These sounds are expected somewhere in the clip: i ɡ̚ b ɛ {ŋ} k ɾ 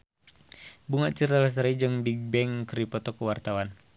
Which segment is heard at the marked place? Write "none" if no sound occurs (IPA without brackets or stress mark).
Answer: ŋ